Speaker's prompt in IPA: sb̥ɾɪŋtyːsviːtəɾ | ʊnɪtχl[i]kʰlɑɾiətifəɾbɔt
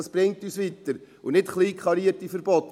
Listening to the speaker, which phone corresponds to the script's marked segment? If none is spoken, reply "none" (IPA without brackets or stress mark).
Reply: iː